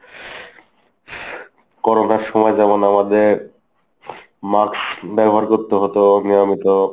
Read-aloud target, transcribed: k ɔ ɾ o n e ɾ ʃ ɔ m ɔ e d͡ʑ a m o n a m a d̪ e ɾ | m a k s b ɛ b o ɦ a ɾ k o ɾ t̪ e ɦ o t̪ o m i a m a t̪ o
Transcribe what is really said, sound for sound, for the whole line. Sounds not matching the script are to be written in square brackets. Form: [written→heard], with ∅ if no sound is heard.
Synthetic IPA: k ɔ ɾ o n [e→a] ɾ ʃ ɔ m ɔ e d͡ʑ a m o n a m a d̪ e ɾ | m a k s b ɛ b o ɦ a ɾ k o ɾ t̪ e ɦ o t̪ o [m→n] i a m [a→i] t̪ o